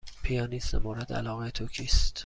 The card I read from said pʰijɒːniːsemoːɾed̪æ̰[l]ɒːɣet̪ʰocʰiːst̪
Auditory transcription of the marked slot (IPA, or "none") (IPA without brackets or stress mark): l